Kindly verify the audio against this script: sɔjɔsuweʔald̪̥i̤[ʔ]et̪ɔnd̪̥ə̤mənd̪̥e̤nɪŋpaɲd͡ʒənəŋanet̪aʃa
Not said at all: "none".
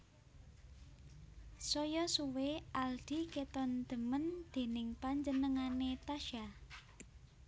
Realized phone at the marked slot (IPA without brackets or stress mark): k